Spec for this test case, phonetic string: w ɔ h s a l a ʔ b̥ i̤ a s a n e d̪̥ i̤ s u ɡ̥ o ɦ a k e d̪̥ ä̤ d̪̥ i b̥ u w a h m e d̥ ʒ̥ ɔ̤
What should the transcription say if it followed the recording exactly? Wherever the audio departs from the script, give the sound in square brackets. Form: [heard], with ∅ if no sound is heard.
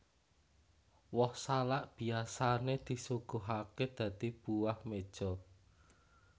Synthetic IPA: w ɔ h s a l a ʔ b̥ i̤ a s a n e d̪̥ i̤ s u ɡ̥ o ɦ a k e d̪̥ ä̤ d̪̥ i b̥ u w a h m e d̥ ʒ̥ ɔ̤